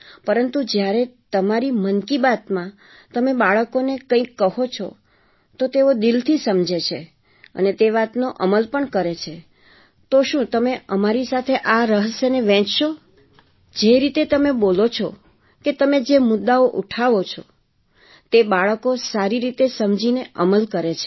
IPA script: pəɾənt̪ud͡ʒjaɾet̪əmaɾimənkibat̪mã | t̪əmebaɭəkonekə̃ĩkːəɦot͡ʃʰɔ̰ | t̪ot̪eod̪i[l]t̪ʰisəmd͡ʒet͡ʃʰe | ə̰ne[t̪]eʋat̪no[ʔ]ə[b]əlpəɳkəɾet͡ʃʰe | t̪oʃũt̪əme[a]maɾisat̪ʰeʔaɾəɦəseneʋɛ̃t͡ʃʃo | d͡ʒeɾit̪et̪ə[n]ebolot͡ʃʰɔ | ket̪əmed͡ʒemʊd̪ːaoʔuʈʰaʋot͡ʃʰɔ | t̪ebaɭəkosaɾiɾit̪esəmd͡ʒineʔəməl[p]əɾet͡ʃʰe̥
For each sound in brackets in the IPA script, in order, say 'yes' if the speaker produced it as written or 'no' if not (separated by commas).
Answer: yes, yes, yes, no, no, no, no